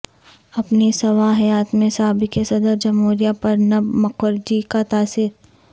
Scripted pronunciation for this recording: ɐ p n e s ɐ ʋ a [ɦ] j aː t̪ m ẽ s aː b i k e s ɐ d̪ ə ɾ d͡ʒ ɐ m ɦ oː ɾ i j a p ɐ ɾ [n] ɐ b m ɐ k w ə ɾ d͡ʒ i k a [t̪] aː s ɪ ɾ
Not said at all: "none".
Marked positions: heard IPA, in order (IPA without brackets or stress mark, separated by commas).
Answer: ɦ, n, t̪